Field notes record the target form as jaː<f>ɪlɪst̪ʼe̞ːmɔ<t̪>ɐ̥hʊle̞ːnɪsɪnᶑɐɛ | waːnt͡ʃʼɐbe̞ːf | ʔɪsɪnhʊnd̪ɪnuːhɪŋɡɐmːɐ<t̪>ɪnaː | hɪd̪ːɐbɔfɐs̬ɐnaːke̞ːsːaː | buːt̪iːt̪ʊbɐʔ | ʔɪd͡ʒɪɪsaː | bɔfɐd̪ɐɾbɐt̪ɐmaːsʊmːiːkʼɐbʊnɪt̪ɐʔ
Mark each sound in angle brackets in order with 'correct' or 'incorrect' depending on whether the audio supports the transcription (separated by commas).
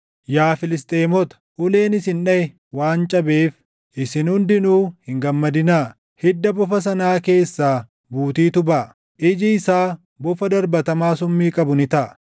correct, correct, incorrect